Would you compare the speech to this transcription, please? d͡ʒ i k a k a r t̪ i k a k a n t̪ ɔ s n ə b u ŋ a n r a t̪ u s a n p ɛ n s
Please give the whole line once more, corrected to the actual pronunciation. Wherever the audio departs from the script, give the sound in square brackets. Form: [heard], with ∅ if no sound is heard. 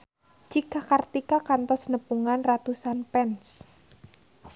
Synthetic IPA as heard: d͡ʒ i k a k a r t̪ i k a k a n t̪ ɔ s n ə [p] u ŋ a n r a t̪ u s a n p ɛ n s